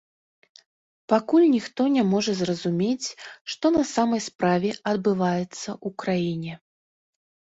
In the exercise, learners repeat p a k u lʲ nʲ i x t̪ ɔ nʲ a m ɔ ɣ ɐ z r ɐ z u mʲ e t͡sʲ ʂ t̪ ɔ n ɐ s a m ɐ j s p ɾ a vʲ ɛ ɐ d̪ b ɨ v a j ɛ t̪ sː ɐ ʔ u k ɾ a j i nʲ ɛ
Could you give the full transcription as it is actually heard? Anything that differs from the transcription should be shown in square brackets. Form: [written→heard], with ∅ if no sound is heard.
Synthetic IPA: p a k u lʲ nʲ i x t̪ ɔ nʲ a m ɔ [ɣ→ʐ] ɐ z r ɐ z u mʲ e t͡sʲ ʂ t̪ ɔ n ɐ s a m ɐ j s p ɾ a vʲ ɛ ɐ d̪ b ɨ v a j ɛ t̪ sː ɐ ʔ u k ɾ a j i nʲ ɛ